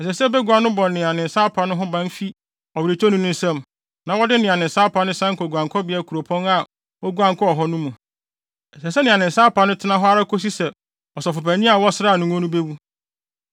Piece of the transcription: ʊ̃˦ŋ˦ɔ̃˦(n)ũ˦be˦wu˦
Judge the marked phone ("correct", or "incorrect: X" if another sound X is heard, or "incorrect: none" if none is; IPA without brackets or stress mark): correct